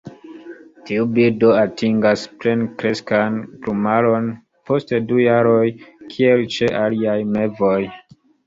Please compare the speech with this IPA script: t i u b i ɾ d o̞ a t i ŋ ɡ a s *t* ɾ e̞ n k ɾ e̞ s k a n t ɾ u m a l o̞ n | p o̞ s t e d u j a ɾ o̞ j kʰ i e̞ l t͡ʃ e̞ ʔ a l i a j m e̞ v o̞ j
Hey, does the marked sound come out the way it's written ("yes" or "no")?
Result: no